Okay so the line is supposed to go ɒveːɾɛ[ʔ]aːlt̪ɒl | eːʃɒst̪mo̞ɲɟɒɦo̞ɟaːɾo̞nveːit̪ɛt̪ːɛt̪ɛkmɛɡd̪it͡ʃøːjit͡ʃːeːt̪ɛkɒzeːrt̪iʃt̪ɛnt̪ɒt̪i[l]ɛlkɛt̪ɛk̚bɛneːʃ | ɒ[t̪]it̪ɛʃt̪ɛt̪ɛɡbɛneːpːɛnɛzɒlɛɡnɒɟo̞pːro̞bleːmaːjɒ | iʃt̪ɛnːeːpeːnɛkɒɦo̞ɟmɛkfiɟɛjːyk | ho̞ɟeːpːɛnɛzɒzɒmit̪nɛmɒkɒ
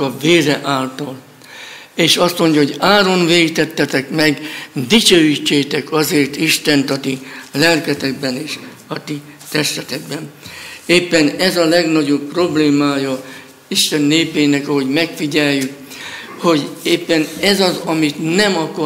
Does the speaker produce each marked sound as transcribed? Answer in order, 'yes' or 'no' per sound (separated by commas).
yes, yes, yes